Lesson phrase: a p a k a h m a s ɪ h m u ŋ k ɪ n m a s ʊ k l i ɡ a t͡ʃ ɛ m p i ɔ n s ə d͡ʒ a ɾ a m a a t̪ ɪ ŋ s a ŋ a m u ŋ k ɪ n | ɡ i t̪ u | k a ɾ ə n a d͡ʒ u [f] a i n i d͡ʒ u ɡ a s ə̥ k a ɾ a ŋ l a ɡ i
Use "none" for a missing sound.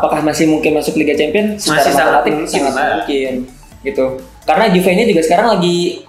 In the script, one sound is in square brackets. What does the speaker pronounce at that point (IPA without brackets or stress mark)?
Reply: f